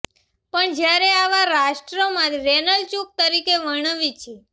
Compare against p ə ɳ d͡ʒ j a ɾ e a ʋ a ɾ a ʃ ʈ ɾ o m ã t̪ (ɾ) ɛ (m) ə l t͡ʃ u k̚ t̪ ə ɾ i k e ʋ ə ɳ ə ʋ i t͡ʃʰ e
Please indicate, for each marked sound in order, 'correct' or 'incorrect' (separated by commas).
correct, incorrect